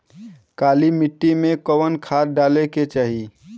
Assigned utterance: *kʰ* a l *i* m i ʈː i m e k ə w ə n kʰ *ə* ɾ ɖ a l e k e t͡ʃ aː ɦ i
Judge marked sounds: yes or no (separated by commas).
no, yes, no